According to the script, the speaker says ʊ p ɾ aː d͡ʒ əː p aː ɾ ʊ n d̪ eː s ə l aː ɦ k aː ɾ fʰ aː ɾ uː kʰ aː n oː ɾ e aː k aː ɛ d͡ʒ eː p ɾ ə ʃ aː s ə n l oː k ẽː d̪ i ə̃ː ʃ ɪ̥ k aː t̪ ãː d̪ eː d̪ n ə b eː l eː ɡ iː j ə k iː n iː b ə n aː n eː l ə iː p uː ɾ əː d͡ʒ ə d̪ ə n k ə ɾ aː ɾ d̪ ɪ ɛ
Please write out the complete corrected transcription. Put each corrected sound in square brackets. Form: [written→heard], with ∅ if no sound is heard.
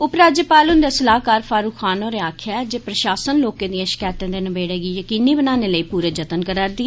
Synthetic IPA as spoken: ʊ p ɾ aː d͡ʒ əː p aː [ɾ→l] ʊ n d̪ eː s ə l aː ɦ k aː ɾ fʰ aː ɾ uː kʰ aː n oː ɾ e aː [k→kʰ] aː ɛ d͡ʒ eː p ɾ ə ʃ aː s ə n l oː k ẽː d̪ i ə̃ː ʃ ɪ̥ k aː t̪ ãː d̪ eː [d̪→∅] n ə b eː [l→ɽ] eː ɡ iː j ə k iː n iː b ə n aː n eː l ə iː p uː ɾ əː d͡ʒ ə [d̪→t̪] ə n k ə ɾ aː ɾ d̪ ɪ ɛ